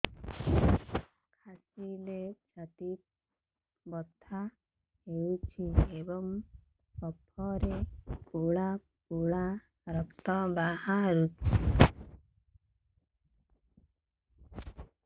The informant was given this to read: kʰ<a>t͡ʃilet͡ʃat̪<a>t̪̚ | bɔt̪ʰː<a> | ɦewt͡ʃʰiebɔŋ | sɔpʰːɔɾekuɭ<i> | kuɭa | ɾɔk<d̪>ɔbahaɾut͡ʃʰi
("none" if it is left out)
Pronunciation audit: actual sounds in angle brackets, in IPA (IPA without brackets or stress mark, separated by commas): a, i, a, a, t̪